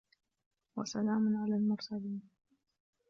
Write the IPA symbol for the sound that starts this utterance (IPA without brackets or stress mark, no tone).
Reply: w